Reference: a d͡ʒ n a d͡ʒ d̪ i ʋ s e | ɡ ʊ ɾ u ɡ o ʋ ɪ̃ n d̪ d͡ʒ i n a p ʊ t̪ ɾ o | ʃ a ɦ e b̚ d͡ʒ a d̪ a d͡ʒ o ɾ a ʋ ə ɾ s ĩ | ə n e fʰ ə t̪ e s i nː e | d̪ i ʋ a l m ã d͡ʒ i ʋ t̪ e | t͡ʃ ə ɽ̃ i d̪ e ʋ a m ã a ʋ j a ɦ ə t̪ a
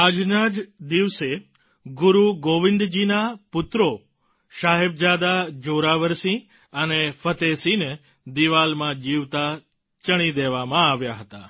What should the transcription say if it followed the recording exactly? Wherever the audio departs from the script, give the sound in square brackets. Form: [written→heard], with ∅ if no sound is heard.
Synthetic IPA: a d͡ʒ n a d͡ʒ d̪ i ʋ s e | ɡ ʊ ɾ u ɡ o ʋ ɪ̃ n d̪ d͡ʒ i n a p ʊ t̪ ɾ o | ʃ a ɦ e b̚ d͡ʒ a d̪ a d͡ʒ o ɾ a ʋ ə ɾ s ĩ | ə n e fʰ ə t̪ e s i [nː→n] e | d̪ i ʋ a l m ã d͡ʒ i ʋ t̪ [e→a] | t͡ʃ ə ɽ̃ i d̪ e ʋ a m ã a ʋ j a ɦ ə t̪ a

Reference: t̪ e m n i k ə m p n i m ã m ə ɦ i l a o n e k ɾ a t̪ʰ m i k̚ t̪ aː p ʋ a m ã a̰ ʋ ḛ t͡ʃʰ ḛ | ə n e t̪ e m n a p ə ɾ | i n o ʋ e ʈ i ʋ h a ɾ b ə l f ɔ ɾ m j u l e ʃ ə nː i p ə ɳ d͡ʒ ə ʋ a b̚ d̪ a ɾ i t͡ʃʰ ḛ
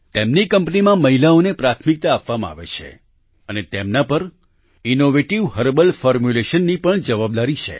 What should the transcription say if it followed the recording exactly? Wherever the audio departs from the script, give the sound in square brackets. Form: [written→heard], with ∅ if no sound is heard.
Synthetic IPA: t̪ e m n i k ə m p n i m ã m ə ɦ i l a o n e [k→p] ɾ a t̪ʰ m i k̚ t̪ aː p ʋ a m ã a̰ ʋ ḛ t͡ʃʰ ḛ | ə n e t̪ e m n a p ə ɾ | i n o ʋ e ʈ i ʋ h [a→ə] ɾ b ə l f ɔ ɾ m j u l e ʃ ə nː i p ə ɳ d͡ʒ ə ʋ a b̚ d̪ a ɾ i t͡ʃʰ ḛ

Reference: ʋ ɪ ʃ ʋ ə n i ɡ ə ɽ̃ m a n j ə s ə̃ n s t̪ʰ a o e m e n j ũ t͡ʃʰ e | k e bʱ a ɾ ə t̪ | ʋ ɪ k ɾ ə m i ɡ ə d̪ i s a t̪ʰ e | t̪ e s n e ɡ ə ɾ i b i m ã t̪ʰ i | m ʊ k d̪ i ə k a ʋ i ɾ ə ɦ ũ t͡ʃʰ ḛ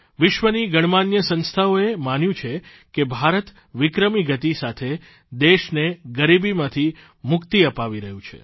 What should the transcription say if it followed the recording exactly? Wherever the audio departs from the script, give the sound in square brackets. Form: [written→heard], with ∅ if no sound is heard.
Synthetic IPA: ʋ ɪ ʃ ʋ ə n i ɡ ə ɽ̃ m a n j ə s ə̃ n s t̪ʰ a o e m [e→a] n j ũ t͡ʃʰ e | k e bʱ a ɾ ə t̪ | ʋ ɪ k ɾ ə m i ɡ ə [d̪→t̪] i s a t̪ʰ e | [t̪→d̪] e [s→ʃ] n e ɡ ə ɾ i b i m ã t̪ʰ i | m ʊ k [d̪→t̪] i ə [k→p] a ʋ i ɾ ə ɦ ũ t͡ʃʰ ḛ

